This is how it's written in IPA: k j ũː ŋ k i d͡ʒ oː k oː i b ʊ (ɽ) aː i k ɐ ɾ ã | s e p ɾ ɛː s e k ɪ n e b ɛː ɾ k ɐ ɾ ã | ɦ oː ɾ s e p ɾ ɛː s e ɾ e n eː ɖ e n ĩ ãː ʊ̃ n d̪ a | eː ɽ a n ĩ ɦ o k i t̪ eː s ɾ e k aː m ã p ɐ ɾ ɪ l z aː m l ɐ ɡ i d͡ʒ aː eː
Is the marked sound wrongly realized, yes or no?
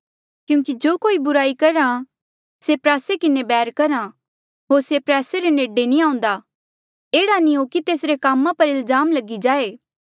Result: yes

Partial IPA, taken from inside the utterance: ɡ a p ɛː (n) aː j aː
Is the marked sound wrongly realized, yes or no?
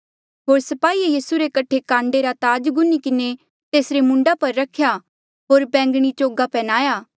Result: no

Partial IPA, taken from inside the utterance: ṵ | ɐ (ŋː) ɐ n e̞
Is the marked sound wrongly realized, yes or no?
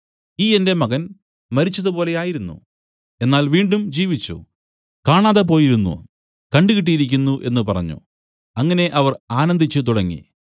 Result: no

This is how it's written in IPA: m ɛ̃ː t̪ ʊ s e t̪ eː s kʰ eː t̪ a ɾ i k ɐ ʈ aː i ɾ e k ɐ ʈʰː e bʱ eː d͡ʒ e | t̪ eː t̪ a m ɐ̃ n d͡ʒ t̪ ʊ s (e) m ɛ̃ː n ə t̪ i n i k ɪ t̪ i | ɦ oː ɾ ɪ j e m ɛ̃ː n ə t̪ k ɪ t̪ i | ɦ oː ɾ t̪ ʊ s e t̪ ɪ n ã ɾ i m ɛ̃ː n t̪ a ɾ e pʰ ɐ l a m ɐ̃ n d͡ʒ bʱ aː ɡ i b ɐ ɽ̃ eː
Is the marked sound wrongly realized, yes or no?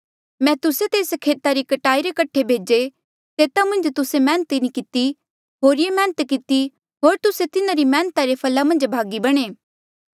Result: no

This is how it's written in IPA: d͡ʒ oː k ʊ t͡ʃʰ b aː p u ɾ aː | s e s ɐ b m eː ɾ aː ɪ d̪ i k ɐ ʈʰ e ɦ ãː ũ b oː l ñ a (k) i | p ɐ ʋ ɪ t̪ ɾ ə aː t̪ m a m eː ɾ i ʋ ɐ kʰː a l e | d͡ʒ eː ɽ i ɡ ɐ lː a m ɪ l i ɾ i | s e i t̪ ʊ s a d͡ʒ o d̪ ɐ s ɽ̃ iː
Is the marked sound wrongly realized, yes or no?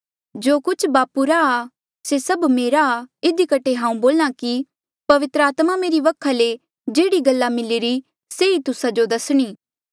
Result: no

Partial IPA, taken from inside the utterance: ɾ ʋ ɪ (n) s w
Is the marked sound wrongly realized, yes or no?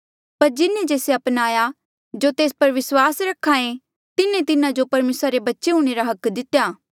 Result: yes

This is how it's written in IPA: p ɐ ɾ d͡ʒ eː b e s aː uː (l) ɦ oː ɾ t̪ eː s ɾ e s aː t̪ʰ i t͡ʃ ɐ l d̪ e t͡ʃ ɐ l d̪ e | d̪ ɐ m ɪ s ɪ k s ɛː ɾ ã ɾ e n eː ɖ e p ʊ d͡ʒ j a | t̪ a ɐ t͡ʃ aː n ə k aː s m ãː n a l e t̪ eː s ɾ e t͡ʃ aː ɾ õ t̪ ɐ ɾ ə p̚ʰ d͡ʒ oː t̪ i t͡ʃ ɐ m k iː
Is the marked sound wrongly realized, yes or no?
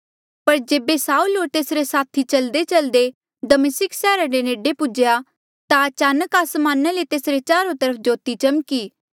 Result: no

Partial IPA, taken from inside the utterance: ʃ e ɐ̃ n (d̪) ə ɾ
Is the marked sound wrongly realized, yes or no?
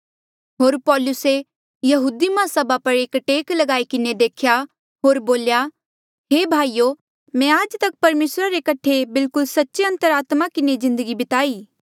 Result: yes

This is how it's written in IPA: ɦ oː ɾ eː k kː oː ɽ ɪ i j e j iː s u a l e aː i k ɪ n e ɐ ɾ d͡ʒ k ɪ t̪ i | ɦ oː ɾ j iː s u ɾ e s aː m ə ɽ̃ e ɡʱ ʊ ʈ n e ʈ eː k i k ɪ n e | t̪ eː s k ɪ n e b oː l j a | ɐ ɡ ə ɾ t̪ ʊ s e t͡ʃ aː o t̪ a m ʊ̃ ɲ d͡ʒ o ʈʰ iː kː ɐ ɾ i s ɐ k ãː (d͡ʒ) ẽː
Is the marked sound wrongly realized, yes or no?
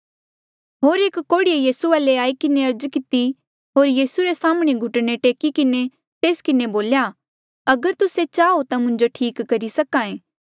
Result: yes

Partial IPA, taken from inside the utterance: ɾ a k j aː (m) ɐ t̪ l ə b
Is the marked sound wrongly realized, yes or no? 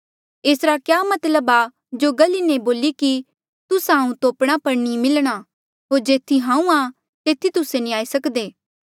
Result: no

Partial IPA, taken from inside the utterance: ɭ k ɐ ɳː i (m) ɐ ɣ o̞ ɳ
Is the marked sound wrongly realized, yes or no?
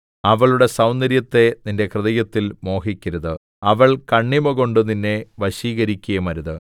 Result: no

